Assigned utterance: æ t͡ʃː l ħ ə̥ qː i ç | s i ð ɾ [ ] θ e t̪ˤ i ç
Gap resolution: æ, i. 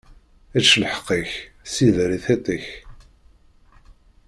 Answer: i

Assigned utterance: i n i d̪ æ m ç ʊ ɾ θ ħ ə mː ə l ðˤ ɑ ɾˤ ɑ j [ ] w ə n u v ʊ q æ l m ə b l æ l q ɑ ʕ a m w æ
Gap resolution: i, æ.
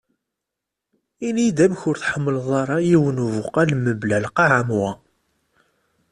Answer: i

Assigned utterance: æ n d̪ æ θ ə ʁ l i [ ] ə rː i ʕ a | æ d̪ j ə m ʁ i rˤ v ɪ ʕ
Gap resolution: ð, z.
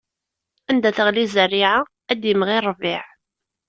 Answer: z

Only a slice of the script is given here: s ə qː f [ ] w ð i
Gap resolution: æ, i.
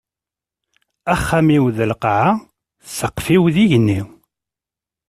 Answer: i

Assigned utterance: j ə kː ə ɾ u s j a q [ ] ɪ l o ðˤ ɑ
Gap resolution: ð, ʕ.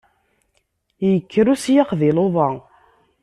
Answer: ð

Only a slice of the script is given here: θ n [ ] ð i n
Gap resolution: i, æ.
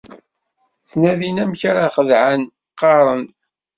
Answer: æ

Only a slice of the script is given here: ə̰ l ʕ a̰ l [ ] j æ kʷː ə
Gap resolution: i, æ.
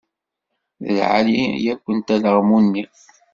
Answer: i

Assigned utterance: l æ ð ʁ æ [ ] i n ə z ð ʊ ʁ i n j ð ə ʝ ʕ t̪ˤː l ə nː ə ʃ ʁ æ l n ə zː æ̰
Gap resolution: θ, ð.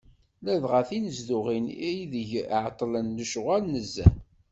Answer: θ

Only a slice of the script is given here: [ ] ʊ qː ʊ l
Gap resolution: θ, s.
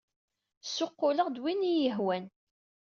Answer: s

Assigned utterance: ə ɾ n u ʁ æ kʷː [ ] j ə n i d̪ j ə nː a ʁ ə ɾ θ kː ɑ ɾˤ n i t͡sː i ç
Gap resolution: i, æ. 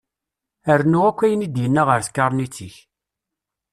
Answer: æ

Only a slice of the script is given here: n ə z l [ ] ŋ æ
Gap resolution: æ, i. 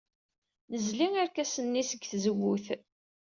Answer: i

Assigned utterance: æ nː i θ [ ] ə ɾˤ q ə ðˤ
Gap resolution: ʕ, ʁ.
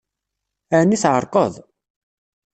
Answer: ʕ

